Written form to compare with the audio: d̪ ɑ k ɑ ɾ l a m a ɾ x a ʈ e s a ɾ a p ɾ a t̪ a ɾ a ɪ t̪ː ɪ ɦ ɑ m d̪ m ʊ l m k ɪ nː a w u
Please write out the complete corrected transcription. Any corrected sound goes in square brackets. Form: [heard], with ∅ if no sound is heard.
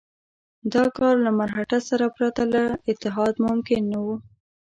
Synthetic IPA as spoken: d̪ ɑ k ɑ ɾ l a m a ɾ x a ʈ [a] s a ɾ a p ɾ a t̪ a [l] a ɪ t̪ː ɪ ɦ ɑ [∅] d̪ m ʊ [∅] m k ɪ nː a w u